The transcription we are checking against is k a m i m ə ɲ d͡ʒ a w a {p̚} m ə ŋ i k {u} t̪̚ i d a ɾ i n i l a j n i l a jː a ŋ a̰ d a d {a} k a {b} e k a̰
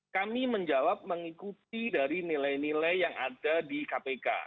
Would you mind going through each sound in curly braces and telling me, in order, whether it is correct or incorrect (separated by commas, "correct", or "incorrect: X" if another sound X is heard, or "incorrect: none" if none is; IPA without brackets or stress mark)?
correct, correct, incorrect: i, incorrect: p